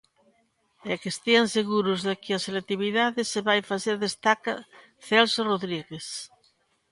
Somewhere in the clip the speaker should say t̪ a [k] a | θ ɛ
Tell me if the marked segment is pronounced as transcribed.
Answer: yes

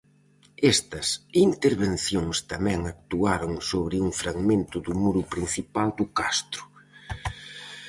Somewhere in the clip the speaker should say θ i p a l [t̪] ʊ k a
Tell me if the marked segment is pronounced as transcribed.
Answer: no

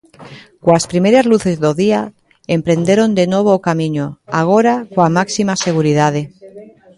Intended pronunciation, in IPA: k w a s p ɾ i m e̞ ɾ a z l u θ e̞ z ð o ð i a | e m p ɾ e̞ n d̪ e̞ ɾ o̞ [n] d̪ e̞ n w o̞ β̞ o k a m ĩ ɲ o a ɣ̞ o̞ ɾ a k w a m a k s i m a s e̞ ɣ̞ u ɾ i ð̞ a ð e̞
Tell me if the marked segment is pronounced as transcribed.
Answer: yes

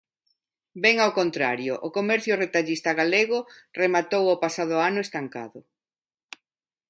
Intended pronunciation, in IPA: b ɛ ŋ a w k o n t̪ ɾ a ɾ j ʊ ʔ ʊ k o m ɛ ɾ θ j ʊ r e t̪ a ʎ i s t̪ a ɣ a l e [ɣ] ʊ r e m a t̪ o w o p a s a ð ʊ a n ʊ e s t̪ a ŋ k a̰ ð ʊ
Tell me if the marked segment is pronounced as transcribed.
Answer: yes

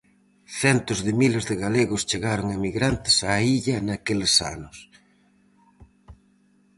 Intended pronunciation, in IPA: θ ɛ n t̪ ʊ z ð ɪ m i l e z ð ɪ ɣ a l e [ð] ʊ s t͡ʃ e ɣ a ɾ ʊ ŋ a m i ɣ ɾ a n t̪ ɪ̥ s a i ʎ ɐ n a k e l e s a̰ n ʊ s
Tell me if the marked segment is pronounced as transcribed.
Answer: no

